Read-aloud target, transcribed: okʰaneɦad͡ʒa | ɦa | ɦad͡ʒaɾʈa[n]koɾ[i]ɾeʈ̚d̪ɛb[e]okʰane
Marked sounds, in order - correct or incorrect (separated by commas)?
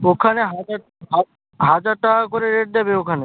incorrect, incorrect, correct